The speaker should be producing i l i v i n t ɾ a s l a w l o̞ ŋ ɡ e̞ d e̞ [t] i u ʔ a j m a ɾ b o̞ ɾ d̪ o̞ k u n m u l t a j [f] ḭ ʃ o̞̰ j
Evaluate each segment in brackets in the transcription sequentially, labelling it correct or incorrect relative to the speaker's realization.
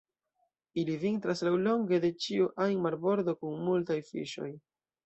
incorrect: t͡ʃ, correct

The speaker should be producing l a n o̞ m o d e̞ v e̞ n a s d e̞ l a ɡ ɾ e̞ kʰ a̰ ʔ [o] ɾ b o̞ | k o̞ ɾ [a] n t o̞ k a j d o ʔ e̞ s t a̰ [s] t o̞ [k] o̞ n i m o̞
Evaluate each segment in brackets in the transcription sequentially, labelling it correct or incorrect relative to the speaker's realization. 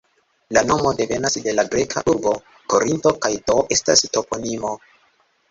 incorrect: u, incorrect: i, correct, incorrect: p

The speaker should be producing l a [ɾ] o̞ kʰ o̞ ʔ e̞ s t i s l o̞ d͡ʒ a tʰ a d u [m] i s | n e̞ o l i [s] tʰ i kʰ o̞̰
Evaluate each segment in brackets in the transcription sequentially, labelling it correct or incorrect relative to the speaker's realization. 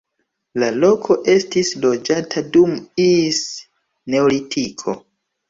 incorrect: l, correct, incorrect: none

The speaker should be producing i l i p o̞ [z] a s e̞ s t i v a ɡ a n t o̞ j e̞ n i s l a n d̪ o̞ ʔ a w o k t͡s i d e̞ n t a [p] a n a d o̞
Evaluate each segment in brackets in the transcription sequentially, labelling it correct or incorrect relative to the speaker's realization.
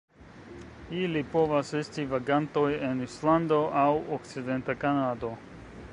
incorrect: v, incorrect: k

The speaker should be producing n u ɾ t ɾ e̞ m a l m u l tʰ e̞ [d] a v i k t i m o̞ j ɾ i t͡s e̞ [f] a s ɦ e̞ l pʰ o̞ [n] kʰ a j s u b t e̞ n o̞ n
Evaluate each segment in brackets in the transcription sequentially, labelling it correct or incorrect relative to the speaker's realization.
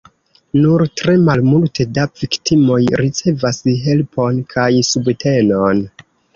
correct, incorrect: v, correct

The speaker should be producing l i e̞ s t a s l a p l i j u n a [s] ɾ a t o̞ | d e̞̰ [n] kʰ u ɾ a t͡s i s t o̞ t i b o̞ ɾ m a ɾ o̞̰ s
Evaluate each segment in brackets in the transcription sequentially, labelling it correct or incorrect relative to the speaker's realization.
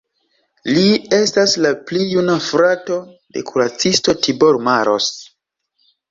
incorrect: f, incorrect: none

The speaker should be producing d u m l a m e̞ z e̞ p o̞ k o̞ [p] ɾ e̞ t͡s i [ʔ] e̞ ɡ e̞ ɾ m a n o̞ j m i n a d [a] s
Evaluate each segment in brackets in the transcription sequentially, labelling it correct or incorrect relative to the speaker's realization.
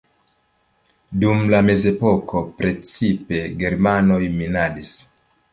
correct, incorrect: p, incorrect: i

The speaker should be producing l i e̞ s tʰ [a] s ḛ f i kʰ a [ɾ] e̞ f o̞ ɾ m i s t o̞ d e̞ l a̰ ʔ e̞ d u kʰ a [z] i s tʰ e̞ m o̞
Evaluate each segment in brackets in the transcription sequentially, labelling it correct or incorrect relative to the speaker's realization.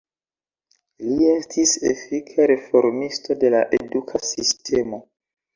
incorrect: i, correct, incorrect: s

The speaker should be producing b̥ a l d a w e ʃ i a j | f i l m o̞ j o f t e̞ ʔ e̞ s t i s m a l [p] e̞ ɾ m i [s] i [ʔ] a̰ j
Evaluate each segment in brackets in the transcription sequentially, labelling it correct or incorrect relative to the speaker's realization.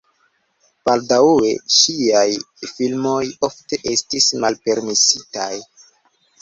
correct, correct, incorrect: t

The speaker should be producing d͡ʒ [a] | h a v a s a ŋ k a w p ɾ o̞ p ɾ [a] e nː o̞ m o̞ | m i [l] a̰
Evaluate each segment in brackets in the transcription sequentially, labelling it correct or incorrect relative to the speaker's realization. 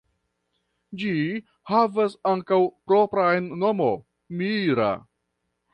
incorrect: i, correct, incorrect: ɾ

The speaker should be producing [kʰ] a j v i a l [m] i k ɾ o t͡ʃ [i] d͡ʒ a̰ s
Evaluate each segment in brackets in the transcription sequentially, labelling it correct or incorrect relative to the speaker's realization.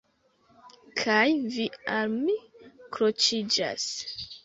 correct, correct, correct

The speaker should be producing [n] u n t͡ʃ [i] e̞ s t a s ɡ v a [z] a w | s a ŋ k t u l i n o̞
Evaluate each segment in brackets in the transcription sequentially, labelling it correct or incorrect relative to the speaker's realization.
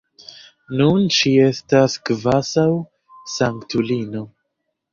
correct, correct, incorrect: s

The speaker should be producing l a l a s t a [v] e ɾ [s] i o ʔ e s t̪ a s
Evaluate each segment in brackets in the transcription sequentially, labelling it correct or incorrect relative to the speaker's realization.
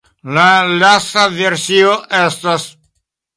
correct, correct

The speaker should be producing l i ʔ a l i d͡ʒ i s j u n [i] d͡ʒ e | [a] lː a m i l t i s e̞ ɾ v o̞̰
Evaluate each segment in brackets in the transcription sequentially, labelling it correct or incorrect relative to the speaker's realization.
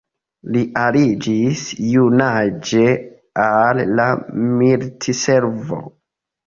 incorrect: a, correct

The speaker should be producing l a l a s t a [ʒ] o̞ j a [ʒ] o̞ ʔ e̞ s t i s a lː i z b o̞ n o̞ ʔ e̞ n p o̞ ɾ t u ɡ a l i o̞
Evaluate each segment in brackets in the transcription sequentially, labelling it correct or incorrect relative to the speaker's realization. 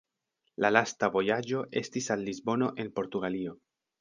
incorrect: v, incorrect: d͡ʒ

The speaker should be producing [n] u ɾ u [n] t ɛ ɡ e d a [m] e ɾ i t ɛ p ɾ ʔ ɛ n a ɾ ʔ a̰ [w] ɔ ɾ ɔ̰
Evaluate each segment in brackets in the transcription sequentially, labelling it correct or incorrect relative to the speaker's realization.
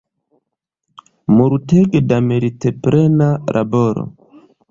incorrect: m, incorrect: none, correct, incorrect: b

